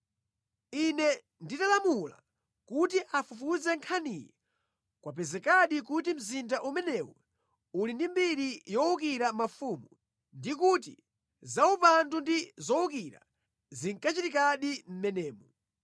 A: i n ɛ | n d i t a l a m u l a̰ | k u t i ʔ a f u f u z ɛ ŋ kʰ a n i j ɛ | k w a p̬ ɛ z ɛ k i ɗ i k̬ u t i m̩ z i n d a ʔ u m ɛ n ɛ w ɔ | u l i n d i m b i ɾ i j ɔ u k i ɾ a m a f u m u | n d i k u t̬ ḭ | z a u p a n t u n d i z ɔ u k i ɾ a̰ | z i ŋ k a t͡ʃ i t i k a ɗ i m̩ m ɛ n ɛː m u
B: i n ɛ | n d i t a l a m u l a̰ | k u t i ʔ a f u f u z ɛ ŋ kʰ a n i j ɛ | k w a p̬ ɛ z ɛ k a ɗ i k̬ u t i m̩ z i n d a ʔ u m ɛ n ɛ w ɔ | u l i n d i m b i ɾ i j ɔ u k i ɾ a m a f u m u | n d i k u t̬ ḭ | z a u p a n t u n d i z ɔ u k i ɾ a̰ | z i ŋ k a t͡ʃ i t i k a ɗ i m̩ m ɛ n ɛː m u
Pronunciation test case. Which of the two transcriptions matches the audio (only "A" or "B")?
B